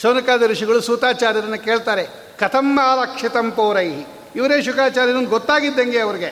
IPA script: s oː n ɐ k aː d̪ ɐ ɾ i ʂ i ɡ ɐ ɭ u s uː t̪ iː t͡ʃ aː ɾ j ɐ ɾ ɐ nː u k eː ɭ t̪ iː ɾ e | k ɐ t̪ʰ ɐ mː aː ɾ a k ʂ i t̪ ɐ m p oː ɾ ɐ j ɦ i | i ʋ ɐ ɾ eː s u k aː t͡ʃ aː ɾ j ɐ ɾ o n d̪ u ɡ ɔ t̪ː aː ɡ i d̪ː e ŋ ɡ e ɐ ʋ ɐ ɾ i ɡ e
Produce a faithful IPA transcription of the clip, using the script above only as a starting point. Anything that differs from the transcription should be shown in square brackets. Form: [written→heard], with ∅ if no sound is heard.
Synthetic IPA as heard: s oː n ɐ k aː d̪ ɐ ɾ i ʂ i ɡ ɐ ɭ u s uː t̪ [iː→aː] t͡ʃ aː ɾ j ɐ ɾ ɐ nː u k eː ɭ t̪ [iː→aː] ɾ e | k ɐ t̪ʰ ɐ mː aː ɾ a k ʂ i t̪ ɐ m p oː ɾ ɐ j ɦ i | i ʋ ɐ ɾ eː [s→ʃ] u k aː t͡ʃ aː ɾ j ɐ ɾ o n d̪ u ɡ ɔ t̪ː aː ɡ i d̪ː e ŋ ɡ e ɐ ʋ ɐ ɾ i ɡ e